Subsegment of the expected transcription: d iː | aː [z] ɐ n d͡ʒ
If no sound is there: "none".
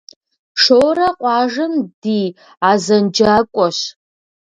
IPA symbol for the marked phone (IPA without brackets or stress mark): z